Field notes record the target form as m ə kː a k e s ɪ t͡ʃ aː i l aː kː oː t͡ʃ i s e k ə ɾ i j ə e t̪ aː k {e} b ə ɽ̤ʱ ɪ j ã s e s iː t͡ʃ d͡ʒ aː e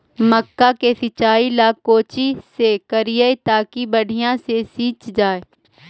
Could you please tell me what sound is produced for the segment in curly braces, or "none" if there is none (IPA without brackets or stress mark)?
i